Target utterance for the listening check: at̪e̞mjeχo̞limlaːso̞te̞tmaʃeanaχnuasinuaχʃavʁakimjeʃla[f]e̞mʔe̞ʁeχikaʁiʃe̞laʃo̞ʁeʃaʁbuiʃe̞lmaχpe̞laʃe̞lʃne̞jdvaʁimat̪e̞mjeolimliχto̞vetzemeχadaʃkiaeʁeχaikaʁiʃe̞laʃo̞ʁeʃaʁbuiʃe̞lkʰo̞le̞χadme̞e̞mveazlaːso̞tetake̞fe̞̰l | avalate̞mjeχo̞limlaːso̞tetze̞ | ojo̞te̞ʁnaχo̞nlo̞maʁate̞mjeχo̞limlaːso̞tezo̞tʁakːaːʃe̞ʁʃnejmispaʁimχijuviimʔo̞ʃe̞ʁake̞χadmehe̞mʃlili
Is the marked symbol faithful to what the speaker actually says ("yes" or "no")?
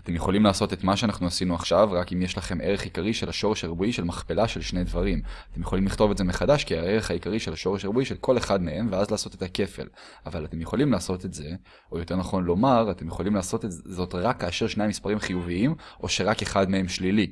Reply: no